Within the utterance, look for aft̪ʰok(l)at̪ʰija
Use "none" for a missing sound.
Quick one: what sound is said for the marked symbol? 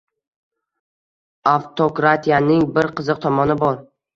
ɾ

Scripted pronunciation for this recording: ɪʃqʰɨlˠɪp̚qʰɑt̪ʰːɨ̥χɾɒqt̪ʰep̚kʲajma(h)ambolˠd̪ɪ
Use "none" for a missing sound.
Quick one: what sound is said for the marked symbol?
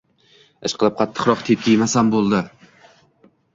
s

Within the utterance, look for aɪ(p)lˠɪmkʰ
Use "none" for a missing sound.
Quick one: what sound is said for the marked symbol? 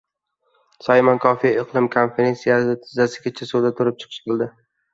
q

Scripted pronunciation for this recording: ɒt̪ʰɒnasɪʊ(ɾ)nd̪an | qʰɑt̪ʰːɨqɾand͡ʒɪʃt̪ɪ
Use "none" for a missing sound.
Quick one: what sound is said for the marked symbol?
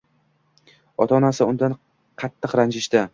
none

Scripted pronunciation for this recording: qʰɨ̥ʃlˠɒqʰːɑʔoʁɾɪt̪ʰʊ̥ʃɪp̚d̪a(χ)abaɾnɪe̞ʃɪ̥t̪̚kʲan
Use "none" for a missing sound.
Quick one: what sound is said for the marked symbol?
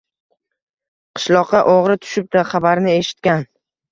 χ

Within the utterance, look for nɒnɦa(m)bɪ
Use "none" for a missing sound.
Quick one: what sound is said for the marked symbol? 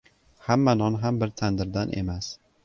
m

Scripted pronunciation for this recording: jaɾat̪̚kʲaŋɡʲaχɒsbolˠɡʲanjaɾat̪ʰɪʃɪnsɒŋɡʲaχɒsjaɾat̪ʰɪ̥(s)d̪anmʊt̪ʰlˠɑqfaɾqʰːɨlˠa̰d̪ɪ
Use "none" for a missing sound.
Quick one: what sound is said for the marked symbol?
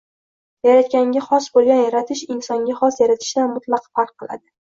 ʃ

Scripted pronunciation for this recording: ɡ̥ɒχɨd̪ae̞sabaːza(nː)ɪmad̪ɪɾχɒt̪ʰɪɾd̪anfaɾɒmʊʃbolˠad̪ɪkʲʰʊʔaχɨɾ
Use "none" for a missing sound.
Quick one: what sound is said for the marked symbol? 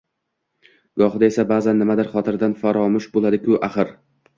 nː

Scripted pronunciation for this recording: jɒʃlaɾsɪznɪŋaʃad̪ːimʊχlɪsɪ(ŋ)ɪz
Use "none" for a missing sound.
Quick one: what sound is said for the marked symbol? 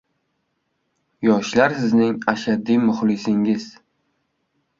ŋ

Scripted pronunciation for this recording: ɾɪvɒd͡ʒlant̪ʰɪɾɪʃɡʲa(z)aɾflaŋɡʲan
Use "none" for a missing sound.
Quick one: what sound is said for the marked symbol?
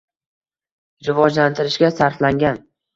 s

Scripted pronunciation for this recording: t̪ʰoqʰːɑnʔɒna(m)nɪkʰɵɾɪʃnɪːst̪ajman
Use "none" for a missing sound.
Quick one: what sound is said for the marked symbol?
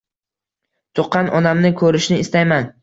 m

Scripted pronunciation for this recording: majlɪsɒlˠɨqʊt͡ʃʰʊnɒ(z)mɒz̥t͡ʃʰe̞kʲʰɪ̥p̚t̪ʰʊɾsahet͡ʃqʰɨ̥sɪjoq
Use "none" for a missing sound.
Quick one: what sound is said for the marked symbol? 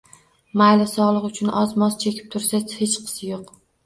z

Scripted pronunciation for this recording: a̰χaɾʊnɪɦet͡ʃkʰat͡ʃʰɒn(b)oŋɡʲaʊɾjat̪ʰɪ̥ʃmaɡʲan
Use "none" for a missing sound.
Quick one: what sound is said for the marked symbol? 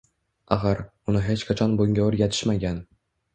b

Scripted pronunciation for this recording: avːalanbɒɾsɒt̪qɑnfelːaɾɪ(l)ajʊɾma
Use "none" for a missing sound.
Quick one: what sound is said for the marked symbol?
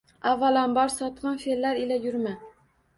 l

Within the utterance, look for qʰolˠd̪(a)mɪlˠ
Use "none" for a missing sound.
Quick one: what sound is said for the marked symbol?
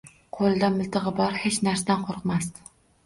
a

